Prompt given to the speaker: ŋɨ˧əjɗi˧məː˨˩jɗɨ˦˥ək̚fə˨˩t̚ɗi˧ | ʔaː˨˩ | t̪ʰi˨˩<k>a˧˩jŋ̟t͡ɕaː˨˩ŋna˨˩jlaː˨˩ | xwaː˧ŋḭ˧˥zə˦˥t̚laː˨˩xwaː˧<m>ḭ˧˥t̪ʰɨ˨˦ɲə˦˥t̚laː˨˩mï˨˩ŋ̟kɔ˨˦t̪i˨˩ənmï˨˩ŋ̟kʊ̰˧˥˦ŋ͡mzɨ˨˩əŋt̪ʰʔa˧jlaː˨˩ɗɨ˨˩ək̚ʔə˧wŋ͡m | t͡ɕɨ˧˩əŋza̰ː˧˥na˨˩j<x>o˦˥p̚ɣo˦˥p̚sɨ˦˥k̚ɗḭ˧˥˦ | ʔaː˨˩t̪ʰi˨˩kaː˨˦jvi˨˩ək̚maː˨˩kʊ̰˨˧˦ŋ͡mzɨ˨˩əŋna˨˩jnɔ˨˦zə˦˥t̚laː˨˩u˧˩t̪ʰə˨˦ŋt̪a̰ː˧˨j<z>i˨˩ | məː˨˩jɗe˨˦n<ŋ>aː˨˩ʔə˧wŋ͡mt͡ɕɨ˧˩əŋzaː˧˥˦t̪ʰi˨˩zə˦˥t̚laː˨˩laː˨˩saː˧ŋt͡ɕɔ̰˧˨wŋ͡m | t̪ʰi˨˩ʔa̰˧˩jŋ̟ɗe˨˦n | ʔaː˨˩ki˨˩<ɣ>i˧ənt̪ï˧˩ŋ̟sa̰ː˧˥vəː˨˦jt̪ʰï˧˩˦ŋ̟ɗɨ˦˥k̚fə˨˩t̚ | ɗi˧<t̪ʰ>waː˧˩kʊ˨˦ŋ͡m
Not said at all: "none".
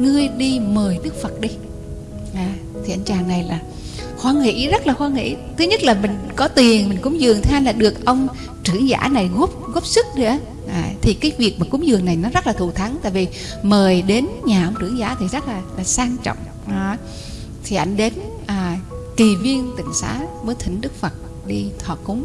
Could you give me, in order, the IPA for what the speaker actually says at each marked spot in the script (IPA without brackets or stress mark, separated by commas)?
ʔ, ŋ, ɣ, v, ɲ, v, t̪ʰ